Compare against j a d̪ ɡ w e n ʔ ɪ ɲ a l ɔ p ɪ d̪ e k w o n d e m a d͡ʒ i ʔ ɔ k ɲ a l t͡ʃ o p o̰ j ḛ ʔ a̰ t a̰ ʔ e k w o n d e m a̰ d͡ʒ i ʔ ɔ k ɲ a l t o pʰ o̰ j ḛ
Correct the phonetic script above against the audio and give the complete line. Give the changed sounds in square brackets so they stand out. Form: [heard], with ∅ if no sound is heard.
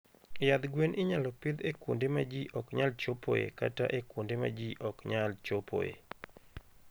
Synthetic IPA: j a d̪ ɡ w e n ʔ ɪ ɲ a l ɔ p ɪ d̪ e k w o n d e m a d͡ʒ i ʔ ɔ k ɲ a l t͡ʃ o p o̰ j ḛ [k] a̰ t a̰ ʔ e k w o n d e m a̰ d͡ʒ i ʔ ɔ k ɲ a l [t͡ʃ] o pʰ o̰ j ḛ